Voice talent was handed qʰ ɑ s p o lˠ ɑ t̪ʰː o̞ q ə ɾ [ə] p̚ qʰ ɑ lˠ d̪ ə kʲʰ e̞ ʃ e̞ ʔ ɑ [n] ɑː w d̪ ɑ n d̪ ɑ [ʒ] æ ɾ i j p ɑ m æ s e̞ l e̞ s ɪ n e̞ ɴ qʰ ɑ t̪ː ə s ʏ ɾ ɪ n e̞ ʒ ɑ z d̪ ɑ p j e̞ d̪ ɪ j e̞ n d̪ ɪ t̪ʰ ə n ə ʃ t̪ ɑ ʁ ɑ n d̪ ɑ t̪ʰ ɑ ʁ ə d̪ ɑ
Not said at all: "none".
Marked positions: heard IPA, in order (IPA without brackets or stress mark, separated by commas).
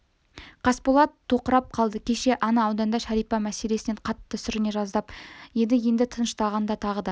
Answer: ɑ, n, ʃ